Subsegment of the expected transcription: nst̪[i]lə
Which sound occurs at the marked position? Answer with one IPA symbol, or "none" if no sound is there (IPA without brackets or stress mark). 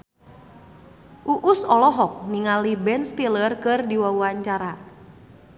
i